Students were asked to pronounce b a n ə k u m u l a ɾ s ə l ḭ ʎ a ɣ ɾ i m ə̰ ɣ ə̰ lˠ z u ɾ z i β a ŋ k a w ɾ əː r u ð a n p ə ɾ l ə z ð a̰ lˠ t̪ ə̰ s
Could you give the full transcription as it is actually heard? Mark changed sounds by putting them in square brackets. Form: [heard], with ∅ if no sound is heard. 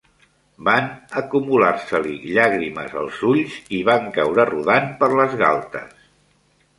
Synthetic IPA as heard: b a n ə k u m u l a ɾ s ə l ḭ ʎ a ɣ ɾ i m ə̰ [z] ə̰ lˠ z u [ʎ] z i β a ŋ k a w ɾ [ə] r u ð a n p ə ɾ l ə z [ɣ] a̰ lˠ t̪ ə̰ s